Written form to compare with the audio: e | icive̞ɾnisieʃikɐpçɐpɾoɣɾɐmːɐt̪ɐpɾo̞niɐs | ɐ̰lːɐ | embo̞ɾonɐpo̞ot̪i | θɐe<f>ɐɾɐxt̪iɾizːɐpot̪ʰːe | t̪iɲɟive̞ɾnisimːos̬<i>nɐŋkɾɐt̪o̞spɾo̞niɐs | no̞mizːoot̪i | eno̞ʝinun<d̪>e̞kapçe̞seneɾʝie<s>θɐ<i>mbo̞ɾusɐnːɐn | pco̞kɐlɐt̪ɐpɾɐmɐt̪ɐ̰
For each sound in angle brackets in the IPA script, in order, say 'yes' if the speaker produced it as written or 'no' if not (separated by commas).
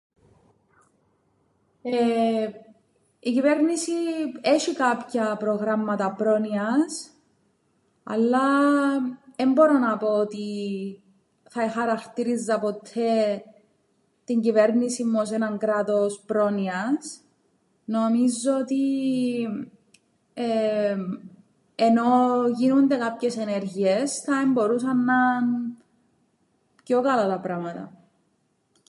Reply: no, no, yes, yes, no